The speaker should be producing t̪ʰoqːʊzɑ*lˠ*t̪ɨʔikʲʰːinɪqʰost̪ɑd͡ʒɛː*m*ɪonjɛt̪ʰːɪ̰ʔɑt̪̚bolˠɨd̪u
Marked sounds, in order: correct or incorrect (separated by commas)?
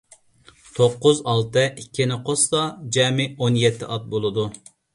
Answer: correct, correct